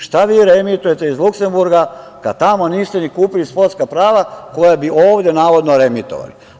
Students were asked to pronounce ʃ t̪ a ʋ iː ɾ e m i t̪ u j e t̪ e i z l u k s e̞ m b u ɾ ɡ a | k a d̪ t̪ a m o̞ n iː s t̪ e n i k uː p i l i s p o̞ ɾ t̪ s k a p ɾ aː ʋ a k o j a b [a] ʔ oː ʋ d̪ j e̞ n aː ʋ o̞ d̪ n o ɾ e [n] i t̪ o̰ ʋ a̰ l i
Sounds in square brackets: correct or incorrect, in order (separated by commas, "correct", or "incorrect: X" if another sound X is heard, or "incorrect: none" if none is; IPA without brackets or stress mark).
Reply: incorrect: i, incorrect: m